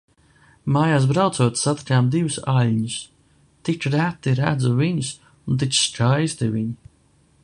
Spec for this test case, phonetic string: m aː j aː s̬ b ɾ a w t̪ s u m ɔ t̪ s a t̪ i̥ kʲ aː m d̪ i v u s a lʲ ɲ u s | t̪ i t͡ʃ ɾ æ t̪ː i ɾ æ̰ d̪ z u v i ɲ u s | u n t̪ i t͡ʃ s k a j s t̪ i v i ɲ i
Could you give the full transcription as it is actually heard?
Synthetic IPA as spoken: m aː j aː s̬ b ɾ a w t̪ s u ɔ t̪ s a t̪ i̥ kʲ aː m d̪ i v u s a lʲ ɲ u s | t̪ i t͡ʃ ɾ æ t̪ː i ɾ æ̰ d̪ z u v i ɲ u s | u n t̪ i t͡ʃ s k a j s t̪ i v i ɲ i